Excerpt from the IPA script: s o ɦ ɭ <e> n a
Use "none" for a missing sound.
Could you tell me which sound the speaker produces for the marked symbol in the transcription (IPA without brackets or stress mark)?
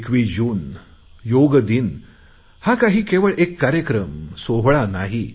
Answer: a